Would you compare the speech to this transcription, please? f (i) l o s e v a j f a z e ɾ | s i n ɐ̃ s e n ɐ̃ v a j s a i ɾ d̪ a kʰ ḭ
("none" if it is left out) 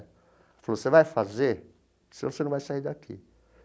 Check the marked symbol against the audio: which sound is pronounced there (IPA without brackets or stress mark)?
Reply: a